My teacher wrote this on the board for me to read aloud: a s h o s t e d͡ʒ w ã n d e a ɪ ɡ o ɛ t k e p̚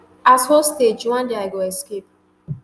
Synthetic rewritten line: a s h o s t e d͡ʒ w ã n d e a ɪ ɡ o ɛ s k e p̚